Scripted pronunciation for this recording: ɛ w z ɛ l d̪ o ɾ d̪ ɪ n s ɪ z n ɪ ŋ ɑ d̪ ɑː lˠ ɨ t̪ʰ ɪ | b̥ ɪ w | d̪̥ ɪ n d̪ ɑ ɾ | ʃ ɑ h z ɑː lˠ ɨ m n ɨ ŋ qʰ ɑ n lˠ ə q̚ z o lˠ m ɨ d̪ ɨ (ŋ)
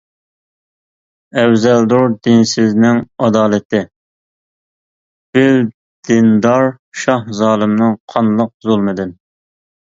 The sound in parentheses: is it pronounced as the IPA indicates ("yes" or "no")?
no